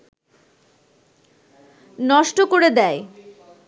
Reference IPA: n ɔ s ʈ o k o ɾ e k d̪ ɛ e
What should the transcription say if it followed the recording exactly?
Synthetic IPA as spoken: n ɔ ʃ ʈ o k o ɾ e d̪ ɛ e